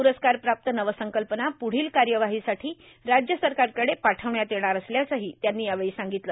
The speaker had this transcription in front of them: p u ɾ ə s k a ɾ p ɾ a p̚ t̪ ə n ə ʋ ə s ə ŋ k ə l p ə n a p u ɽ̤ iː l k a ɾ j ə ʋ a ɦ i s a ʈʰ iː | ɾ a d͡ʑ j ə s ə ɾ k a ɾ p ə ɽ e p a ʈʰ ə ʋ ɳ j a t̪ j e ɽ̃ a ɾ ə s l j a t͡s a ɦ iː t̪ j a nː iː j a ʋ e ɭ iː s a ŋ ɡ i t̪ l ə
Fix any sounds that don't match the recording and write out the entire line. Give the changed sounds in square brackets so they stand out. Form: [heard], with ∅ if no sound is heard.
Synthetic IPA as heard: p u ɾ ə s k a ɾ p ɾ a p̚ t̪ ə n ə ʋ ə s ə ŋ k ə l p ə n a p u ɽ̤ iː l k a ɾ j ə ʋ a ɦ i s a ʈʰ iː | ɾ a d͡ʑ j ə s ə ɾ k a ɾ [k] ə ɽ e p a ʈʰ ə ʋ ɳ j a t̪ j e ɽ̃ a ɾ ə s l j a t͡s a ɦ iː t̪ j a nː iː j a ʋ e ɭ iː s a ŋ ɡ i t̪ l ə